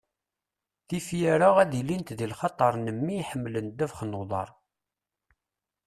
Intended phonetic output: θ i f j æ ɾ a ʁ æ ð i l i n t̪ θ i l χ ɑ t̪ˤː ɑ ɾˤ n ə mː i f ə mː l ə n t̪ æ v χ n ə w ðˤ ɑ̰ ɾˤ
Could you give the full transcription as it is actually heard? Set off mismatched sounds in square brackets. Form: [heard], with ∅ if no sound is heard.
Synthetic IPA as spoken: θ i f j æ ɾ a ʁ æ ð i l i n t̪ [ð] i l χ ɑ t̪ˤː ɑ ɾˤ n ə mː i [ħ] ə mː l ə n [d̪] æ v χ n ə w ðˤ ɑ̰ ɾˤ